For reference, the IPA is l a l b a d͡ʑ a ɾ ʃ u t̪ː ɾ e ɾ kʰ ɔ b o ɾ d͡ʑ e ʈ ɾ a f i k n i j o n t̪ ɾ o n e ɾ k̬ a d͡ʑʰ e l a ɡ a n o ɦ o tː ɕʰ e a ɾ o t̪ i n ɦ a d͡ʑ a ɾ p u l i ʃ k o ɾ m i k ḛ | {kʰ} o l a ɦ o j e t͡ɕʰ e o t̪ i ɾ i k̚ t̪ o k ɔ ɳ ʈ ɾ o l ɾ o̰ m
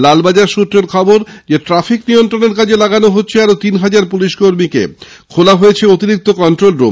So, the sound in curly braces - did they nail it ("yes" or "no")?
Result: yes